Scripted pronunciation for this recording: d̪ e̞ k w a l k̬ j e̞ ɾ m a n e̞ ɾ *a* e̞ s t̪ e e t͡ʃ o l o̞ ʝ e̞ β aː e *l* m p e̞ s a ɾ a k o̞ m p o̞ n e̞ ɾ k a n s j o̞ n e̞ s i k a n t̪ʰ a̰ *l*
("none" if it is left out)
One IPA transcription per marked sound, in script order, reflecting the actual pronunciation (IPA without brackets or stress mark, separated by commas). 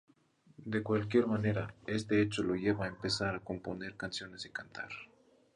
a, none, ɾ